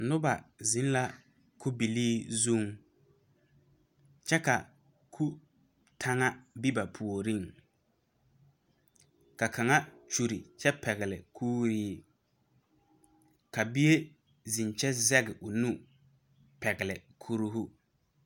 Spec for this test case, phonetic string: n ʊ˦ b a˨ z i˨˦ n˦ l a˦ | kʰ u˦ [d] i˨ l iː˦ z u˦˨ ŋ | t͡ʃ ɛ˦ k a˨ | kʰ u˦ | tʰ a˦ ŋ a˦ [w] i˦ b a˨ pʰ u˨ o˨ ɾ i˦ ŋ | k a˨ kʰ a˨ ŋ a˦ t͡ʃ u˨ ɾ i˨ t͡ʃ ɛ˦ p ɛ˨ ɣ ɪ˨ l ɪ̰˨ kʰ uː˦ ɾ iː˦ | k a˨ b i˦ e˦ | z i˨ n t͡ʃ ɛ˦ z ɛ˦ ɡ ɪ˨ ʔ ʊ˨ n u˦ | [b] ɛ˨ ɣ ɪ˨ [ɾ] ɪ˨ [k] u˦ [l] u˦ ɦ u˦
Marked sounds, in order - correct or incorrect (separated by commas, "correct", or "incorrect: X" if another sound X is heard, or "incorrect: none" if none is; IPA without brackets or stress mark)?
incorrect: b, incorrect: b, incorrect: p, incorrect: l, incorrect: kʰ, incorrect: ɾ